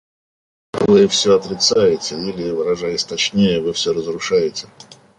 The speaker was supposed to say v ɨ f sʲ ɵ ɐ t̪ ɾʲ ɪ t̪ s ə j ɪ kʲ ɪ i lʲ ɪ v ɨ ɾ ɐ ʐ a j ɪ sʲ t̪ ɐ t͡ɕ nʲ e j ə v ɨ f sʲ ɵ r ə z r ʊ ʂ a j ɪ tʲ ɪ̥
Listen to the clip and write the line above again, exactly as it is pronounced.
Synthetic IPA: v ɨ f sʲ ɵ ɐ t̪ ɾʲ ɪ t̪ s a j ɪ tʲ ɪ i lʲ ɪ v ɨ ɾ ɐ ʐ a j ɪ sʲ t̪ ɐ t͡ɕ nʲ e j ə v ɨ f sʲ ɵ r ə z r ʊ ʂ a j ɪ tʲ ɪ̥